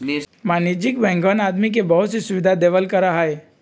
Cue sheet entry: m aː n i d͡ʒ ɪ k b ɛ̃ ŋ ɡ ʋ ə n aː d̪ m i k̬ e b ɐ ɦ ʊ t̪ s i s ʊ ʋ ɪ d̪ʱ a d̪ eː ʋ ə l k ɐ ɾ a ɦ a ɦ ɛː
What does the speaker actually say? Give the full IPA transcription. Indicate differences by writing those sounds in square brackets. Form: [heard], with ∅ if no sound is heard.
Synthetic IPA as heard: m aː n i d͡ʒ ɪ k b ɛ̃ ŋ ɡ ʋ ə n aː d̪ m i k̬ e b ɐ ɦ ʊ t̪ s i s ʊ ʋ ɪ d̪ʱ a d̪ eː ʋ ə l k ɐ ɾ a ɦ a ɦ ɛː